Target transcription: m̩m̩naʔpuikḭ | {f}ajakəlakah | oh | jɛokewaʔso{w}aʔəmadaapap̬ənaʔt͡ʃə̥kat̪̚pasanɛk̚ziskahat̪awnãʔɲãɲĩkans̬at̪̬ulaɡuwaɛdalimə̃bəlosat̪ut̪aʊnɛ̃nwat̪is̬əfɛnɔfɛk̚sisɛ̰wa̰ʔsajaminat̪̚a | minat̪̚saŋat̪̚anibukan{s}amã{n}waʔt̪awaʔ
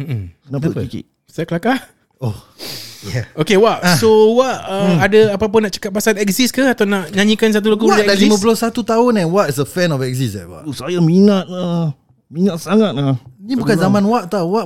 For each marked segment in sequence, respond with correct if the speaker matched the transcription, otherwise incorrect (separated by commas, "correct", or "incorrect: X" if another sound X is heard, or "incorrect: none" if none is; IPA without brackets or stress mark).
incorrect: s, correct, incorrect: z, correct